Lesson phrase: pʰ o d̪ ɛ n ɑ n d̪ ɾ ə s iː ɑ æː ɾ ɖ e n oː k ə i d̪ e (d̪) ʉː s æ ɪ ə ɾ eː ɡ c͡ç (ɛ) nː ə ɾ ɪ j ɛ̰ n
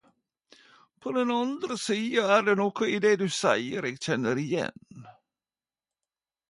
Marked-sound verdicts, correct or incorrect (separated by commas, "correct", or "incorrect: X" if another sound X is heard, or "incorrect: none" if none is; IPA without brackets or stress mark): correct, correct